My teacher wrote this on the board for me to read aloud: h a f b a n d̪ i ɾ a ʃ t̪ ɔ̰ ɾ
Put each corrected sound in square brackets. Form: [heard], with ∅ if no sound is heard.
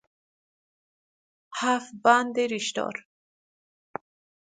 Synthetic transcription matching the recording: h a f b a n d̪ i ɾ [i] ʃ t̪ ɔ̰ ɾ